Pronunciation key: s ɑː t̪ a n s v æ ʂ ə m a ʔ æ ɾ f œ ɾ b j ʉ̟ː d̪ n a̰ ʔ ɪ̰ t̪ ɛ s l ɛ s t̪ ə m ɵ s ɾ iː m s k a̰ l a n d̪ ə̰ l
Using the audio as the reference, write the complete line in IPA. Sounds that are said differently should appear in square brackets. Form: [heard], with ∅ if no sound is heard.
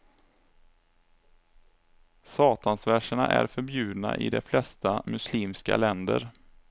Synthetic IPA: s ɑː t̪ a n s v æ ʂ ə [ɳ] a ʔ æ ɾ f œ ɾ b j ʉ̟ː d̪ n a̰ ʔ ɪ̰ [d̪] ɛ [f] l ɛ s t̪ [a] m ɵ s [l] iː m s k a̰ l [ɛ] n d̪ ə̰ [ɾ]

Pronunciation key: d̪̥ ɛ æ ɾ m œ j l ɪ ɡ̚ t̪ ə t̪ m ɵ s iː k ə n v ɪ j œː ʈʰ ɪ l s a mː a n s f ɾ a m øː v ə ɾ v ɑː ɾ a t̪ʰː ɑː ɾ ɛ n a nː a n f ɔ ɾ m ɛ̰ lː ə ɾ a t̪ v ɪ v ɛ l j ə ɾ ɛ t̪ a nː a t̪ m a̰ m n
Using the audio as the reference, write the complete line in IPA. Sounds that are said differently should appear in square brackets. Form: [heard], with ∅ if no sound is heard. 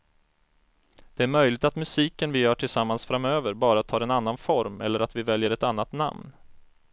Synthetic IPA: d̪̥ ɛ æ ɾ m œ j l ɪ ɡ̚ t̪ [a] t̪ m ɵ s iː k ə n v ɪ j œː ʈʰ ɪ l s a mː a n s f ɾ a m øː v ə ɾ [b] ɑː ɾ a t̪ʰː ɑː ɾ ɛ n a nː a n f ɔ ɾ m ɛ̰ lː ə ɾ a t̪ v ɪ v ɛ l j ə ɾ ɛ t̪ a nː a t̪ [n] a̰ m n

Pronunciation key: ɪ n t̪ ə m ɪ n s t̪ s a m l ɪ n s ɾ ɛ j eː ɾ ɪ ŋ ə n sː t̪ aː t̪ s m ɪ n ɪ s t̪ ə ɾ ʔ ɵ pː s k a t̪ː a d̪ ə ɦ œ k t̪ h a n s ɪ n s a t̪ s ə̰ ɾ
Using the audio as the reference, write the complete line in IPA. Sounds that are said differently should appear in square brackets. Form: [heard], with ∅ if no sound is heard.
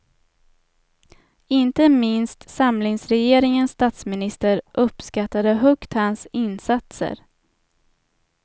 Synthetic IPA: ɪ n t̪ ə m ɪ n s t̪ s a m l ɪ [ŋ] s ɾ ɛ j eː ɾ ɪ ŋ ə n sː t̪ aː t̪ s m ɪ n ɪ s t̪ ə ɾ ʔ ɵ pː s k a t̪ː a d̪ ə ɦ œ k t̪ h a n s ɪ n s a t̪ s ə̰ ɾ

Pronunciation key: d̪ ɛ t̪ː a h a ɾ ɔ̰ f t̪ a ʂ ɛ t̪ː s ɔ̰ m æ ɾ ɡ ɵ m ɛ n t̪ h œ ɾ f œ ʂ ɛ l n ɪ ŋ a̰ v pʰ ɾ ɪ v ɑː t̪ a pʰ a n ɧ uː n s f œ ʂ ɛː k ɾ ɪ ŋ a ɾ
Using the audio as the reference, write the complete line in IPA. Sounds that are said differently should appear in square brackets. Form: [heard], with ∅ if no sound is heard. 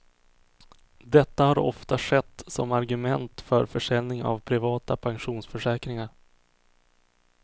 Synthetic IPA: d̪ ɛ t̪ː a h a ɾ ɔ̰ f t̪ a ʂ ɛ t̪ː s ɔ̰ m [a] ɾ ɡ ɵ m ɛ n t̪ [f] œ ɾ f œ ʂ ɛ l n ɪ ŋ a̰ v pʰ ɾ ɪ v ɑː t̪ a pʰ a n ɧ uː n s f œ ʂ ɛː k ɾ ɪ ŋ a ɾ

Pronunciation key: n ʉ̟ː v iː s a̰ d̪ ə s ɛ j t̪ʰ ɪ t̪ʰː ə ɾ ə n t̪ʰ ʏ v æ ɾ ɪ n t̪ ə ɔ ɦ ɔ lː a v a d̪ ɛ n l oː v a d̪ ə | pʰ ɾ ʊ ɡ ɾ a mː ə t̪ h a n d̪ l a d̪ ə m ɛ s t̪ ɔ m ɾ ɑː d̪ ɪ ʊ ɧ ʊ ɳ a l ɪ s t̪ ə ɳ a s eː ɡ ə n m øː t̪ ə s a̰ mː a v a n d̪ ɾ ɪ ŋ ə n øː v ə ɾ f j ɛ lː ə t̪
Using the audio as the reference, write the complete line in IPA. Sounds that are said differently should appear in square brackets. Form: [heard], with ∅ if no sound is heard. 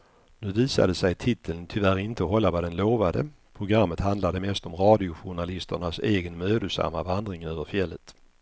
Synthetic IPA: n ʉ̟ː v iː s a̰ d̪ ə s ɛ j t̪ʰ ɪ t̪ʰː ə [l] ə n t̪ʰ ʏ v æ ɾ ɪ n t̪ ə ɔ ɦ ɔ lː a v a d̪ ɛ n l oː v a d̪ ə | pʰ ɾ ʊ ɡ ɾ a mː ə t̪ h a n d̪ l a d̪ ə m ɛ s t̪ ɔ m ɾ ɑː d̪ ɪ ʊ ɧ ʊ ɳ a l ɪ s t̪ ə ɳ a s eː ɡ ə n m øː [d̪] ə s a̰ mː a v a n d̪ ɾ ɪ ŋ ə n øː v ə ɾ f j ɛ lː ə t̪

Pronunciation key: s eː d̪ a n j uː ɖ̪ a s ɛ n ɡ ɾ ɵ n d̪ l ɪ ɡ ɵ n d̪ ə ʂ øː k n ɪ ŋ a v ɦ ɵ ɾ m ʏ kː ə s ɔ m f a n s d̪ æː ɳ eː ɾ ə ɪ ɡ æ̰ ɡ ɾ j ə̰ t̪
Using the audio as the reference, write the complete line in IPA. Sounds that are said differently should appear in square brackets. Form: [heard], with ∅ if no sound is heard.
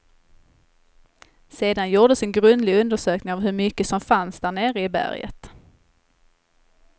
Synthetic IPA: s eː d̪ a n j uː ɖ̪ [ə] s ɛ n ɡ ɾ ɵ n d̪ l ɪ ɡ ɵ n d̪ ə ʂ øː k n ɪ ŋ a v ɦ ɵ ɾ m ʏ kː ə s ɔ m f a n s d̪ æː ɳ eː ɾ ə ɪ [b] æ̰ [∅] ɾ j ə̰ t̪

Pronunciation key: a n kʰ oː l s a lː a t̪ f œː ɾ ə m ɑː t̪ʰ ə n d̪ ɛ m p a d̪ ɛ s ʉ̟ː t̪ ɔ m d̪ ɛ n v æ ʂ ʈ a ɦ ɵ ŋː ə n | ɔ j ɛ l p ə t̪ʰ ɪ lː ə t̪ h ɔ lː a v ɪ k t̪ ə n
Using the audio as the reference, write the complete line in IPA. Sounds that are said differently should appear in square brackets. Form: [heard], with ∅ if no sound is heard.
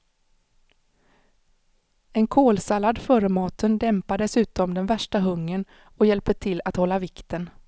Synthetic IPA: [ɛ] n kʰ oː l s a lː a [d̪] f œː ɾ ə m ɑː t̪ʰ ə n d̪ ɛ m p a d̪ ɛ s ʉ̟ː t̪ ɔ m d̪ ɛ n v æ ʂ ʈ a ɦ ɵ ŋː ə n | ɔ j ɛ l p ə t̪ʰ ɪ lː [a] t̪ h ɔ lː a v ɪ k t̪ ə n

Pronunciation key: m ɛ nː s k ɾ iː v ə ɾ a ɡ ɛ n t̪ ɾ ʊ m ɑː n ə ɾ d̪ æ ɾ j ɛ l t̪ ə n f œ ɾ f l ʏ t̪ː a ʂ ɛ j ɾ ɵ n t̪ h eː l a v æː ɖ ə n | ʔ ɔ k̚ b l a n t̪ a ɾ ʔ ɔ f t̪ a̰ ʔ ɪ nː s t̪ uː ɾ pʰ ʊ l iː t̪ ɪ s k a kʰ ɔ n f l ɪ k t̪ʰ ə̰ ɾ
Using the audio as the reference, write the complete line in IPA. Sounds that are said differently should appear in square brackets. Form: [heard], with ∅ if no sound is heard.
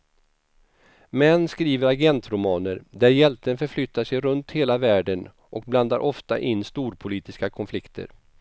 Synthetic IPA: m ɛ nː s k ɾ iː v ə ɾ a ɡ ɛ n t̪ ɾ ʊ m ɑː n ə ɾ d̪ æ ɾ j ɛ l t̪ ə n f œ ɾ f l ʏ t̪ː a ʂ ɛ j ɾ ɵ n t̪ h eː l a v æː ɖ ə n | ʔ ɔ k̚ b l a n [d̪] a ɾ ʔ ɔ f t̪ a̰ ʔ ɪ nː s t̪ uː ɾ pʰ ʊ l iː t̪ ɪ s k a kʰ ɔ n f l ɪ k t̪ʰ ə̰ ɾ

